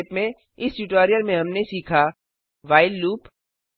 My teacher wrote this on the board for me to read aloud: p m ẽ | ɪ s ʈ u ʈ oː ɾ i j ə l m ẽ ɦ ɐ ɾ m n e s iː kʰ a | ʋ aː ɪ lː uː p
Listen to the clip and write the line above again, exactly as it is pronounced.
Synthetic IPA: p m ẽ | ɪ s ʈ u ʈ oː ɾ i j ə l m ẽ ɦ ɐ m n e s iː kʰ a | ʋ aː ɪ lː uː p

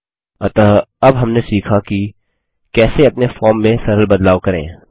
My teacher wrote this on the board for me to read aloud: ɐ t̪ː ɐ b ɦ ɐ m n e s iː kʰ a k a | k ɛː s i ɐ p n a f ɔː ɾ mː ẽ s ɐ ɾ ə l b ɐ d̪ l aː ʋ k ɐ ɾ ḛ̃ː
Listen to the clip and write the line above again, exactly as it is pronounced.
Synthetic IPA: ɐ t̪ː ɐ b ɦ ɐ m n e s iː kʰ a k i | k ɛː s e ɐ p n e f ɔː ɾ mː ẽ s ɐ ɾ ə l b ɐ d̪ l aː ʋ k ɐ ɾ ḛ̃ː

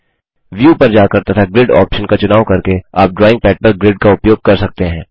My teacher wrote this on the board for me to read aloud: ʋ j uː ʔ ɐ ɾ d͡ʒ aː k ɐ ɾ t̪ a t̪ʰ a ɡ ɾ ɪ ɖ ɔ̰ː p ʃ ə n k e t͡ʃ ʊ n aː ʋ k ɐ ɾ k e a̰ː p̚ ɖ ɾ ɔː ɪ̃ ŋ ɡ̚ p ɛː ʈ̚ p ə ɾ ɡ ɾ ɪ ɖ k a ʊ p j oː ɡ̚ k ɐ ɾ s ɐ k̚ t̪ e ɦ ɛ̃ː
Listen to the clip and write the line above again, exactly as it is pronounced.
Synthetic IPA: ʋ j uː p ɐ ɾ d͡ʒ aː k ɐ ɾ t̪ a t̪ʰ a ɡ ɾ ɪ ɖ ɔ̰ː p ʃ ə n k a t͡ʃ ʊ n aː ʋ k ɐ ɾ k e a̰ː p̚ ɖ ɾ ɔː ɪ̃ ŋ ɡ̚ p ɛː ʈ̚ p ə ɾ ɡ ɾ ɪ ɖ k a ʊ p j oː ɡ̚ k ɐ ɾ s ɐ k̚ t̪ e ɦ ɛ̃ː

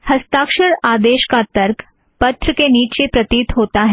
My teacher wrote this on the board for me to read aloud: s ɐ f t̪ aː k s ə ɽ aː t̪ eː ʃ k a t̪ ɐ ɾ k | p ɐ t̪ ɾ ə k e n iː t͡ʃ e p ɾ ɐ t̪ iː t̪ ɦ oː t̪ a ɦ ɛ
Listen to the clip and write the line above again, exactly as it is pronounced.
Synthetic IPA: h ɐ s t̪ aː k ʃ ə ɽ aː d̪ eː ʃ k a t̪ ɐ ɾ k | p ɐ t̪ ɾ ə k e n iː t͡ʃ e p ɾ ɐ t̪ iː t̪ ɦ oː t̪ a ɦ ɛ

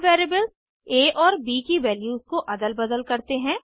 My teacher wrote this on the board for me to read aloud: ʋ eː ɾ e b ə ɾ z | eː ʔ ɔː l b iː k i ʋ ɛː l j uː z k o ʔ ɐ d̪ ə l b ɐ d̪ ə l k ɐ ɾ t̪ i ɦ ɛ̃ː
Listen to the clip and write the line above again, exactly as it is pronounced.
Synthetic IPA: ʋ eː ɾ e b ə l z | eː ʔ ɔː ɾ b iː k i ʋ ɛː l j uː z k o ʔ ɐ d̪ ə l b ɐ d̪ ə l k ɐ ɾ t̪ e ɦ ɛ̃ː

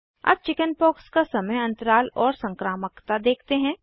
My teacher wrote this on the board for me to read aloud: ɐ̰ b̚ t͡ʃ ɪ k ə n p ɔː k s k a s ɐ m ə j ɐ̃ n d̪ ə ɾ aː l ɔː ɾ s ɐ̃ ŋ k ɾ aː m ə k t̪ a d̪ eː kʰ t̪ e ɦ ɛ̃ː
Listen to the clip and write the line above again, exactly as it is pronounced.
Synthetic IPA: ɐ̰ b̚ t͡ʃ ɪ k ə n p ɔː k s k a s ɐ m ə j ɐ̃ n t̪ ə ɾ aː l ɔː ɾ s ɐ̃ ŋ k ɾ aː m ə k t̪ a d̪ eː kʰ t̪ e ɦ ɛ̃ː

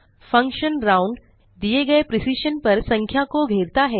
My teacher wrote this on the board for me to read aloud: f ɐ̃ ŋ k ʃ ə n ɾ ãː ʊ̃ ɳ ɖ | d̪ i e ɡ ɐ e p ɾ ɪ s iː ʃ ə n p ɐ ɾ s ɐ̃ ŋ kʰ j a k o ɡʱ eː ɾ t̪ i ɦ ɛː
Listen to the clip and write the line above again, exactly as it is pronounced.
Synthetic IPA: f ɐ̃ ŋ k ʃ ə n ɾ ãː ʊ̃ ɳ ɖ | d̪ i e ɡ ɐ e p ɾ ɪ s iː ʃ ə n p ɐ ɾ s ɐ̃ ŋ kʰ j a k o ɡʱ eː ɾ t̪ a ɦ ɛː

